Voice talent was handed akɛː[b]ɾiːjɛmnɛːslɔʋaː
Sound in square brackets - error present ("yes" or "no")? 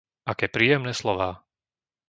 yes